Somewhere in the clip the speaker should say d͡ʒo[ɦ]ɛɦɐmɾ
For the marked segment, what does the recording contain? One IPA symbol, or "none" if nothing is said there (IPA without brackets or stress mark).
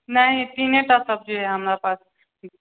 ɦ